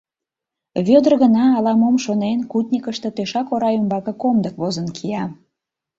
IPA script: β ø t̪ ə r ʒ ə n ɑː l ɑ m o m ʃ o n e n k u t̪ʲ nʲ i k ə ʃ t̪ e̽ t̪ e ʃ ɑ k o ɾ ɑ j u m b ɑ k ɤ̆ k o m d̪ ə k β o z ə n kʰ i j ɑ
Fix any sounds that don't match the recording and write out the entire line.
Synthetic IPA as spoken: β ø d̪ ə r ɣ ə n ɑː l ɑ m o m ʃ o n e n k u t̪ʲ nʲ i k ə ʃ t̪ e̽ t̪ e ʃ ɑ k o ɾ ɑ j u m b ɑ k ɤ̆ k o m d̪ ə k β o z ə n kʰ i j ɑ